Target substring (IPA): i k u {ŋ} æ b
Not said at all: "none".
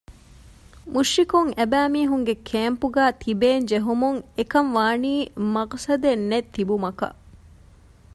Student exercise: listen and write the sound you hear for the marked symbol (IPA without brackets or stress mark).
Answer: ŋ